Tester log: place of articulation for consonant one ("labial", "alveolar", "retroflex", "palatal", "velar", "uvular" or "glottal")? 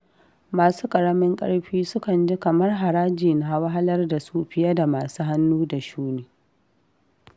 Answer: labial